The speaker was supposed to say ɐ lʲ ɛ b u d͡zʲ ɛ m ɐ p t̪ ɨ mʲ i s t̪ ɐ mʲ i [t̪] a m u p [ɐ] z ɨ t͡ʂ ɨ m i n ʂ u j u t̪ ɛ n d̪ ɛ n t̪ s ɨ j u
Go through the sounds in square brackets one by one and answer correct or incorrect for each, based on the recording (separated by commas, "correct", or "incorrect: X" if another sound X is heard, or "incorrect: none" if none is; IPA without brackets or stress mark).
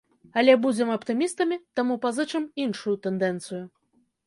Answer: correct, incorrect: a